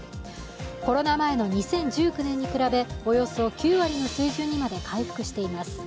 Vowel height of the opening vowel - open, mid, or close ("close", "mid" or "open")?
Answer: mid